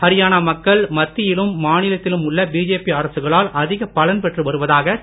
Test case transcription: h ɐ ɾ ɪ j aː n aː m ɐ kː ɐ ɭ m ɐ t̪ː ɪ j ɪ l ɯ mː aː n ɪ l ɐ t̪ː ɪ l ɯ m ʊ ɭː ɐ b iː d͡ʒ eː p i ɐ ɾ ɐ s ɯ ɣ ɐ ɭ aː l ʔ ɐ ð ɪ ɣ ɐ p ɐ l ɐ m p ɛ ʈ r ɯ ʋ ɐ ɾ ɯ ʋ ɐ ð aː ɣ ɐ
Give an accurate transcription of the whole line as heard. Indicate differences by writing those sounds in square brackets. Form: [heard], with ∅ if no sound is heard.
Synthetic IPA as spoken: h ɐ ɾ ɪ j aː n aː m ɐ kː ɐ ɭ m ɐ t̪ː ɪ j ɪ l ɯ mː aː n ɪ l ɐ t̪ː ɪ l ɯ m ʊ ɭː ɐ b iː d͡ʒ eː p i ɐ ɾ ɐ s ɯ ɣ ɐ ɭ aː l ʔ ɐ ð ɪ ɣ ɐ p ɐ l ɐ [n] p ɛ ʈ r ɯ ʋ ɐ ɾ ɯ ʋ ɐ ð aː ɣ ɐ